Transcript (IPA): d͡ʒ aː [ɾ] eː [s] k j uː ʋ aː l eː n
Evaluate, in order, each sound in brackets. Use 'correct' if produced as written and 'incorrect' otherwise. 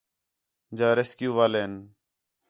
correct, correct

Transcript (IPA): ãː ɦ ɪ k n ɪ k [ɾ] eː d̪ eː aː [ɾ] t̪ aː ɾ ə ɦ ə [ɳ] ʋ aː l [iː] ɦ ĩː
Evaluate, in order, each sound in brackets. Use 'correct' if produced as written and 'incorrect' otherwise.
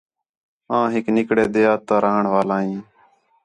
incorrect: ɽ, incorrect: none, correct, incorrect: aː

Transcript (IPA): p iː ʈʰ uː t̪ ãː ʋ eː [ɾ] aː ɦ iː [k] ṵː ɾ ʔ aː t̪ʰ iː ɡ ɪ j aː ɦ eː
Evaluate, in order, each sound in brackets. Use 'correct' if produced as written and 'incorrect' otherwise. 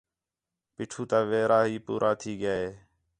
correct, incorrect: p

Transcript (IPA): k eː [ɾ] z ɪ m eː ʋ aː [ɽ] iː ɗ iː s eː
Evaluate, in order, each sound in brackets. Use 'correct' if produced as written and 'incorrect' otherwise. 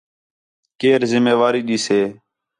correct, incorrect: ɾ

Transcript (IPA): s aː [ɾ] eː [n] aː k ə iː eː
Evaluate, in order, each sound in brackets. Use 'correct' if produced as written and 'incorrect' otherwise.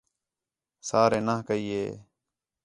correct, correct

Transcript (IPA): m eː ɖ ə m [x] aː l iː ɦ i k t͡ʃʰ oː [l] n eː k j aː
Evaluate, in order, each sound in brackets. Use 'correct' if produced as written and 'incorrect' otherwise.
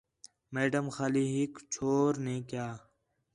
correct, incorrect: ɾ

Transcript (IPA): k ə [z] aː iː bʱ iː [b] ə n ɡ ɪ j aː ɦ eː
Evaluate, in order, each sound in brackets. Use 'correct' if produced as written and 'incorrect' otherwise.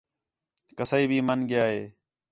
incorrect: s, incorrect: m

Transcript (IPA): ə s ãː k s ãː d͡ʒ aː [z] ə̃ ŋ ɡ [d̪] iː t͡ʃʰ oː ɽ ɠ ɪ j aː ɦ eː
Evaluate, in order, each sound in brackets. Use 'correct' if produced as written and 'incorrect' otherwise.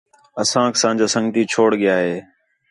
incorrect: s, incorrect: t̪

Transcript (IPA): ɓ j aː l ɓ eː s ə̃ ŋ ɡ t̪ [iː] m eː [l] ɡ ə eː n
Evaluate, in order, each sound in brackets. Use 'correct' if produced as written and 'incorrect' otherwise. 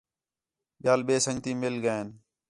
correct, correct

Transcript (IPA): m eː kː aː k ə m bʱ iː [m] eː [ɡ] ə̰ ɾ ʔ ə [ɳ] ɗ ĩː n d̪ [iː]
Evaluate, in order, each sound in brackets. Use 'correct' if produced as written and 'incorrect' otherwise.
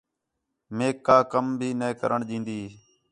incorrect: n, incorrect: k, correct, correct

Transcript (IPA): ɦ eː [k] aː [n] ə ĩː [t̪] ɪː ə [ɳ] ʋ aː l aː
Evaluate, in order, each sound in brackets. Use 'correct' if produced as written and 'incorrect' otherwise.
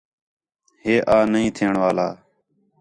incorrect: ʔ, correct, incorrect: t̪ʰ, correct

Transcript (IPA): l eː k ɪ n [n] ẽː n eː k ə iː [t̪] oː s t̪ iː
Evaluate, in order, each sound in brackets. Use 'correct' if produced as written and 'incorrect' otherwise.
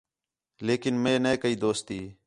incorrect: m, incorrect: d̪

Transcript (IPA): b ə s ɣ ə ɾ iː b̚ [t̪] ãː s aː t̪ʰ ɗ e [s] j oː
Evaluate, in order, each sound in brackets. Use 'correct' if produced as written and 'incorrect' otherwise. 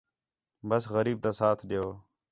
correct, incorrect: none

